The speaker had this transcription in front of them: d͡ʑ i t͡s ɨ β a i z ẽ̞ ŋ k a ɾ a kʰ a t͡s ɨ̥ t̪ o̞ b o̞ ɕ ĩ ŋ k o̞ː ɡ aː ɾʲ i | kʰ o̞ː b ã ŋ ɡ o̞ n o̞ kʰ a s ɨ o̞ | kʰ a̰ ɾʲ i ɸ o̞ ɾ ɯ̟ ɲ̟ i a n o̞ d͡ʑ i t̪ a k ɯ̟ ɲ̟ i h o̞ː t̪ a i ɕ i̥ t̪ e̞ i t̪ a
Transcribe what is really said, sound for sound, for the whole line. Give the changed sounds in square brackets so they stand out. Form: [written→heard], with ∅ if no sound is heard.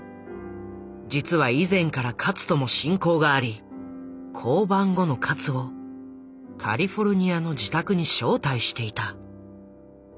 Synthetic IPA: d͡ʑ i t͡s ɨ β a i z ẽ̞ ŋ k a ɾ a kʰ a t͡s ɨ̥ t̪ o̞ [b→m] o̞ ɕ ĩ ŋ k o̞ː ɡ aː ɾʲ i | kʰ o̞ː b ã ŋ ɡ o̞ n o̞ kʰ a [s→t͡s] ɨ o̞ | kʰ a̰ ɾʲ i ɸ o̞ ɾ ɯ̟ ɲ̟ i a n o̞ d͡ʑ i t̪ a k ɯ̟ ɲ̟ i [h→ɕ] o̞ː t̪ a i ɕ i̥ t̪ e̞ i t̪ a